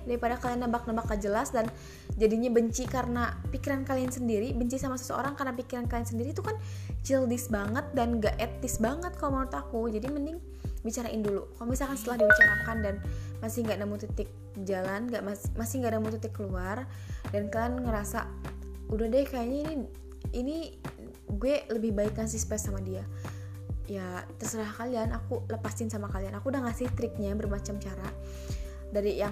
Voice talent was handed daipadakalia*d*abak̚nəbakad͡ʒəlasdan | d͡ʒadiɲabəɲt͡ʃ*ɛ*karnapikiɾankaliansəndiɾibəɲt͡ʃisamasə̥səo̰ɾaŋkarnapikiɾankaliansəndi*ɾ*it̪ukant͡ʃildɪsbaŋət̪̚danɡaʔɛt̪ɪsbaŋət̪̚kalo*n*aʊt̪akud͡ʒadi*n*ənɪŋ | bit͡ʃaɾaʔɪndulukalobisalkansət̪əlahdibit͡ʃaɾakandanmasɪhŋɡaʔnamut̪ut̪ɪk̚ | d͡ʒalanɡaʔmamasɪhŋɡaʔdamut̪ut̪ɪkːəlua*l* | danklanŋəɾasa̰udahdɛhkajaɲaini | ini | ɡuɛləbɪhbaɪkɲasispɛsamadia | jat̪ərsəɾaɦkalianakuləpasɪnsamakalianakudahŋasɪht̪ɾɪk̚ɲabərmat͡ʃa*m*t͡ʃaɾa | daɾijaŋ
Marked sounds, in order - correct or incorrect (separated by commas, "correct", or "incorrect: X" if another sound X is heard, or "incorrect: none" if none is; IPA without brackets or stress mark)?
incorrect: n, incorrect: i, correct, incorrect: m, incorrect: m, incorrect: r, correct